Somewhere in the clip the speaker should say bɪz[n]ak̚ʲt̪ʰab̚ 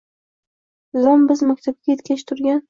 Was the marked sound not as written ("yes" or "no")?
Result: yes